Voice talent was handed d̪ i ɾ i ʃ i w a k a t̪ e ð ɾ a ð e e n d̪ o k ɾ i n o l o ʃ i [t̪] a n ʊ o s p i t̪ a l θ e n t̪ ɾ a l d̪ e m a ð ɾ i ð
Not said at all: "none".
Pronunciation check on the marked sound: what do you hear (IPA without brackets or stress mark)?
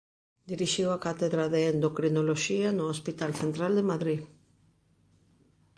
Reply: none